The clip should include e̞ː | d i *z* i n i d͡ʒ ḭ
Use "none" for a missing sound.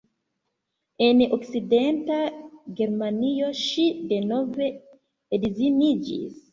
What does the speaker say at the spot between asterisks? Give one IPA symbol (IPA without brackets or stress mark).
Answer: z